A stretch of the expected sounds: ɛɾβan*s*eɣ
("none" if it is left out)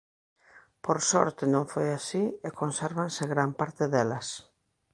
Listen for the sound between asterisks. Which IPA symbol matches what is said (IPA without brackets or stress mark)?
s